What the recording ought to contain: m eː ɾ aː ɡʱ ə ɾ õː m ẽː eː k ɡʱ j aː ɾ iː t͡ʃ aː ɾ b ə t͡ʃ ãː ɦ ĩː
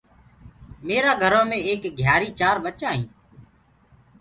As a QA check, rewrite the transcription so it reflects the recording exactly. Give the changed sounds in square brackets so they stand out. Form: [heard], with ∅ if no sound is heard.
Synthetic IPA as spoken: m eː ɾ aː ɡʱ ə ɾ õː m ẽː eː k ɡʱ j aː ɾ iː t͡ʃ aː ɾ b ə t͡ʃ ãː ɦ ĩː